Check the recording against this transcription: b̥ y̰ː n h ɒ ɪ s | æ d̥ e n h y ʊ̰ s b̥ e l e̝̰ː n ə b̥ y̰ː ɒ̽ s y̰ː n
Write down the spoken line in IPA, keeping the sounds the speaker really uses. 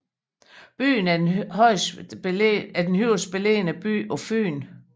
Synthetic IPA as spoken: b̥ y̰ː n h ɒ ɪ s | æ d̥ e n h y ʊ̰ s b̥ e l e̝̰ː n ə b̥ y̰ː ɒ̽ f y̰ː n